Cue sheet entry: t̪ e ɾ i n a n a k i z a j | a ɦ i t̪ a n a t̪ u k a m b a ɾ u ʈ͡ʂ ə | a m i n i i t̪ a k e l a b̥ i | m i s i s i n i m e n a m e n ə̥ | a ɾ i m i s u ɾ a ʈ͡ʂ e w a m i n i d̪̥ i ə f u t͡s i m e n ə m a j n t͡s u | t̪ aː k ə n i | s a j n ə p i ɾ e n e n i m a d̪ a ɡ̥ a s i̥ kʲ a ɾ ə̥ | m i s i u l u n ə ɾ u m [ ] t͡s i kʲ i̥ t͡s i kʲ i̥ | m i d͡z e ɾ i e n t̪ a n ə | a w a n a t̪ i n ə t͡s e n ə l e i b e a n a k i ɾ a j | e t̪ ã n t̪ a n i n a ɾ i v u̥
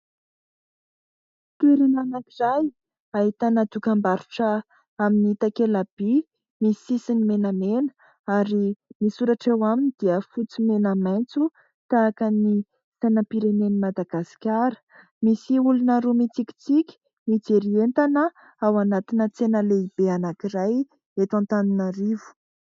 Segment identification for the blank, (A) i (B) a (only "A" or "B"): A